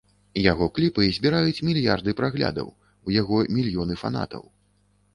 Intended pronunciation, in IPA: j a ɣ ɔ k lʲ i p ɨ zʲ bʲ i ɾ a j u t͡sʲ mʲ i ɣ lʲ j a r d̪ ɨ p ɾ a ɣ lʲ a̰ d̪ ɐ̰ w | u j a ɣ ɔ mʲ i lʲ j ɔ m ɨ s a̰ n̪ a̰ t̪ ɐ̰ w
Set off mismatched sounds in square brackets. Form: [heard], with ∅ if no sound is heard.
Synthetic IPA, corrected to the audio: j a ɣ ɔ k lʲ i p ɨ zʲ bʲ i ɾ a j u t͡sʲ mʲ i [∅] lʲ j a r d̪ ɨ p ɾ a ɣ lʲ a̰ d̪ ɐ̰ w | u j a ɣ ɔ mʲ i lʲ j ɔ [n] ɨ [f] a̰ n̪ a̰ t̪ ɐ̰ w